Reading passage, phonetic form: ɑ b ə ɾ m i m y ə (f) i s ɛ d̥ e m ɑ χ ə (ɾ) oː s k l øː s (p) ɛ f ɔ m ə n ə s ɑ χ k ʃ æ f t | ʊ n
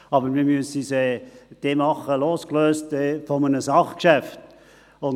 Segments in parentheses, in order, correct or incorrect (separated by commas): incorrect, incorrect, incorrect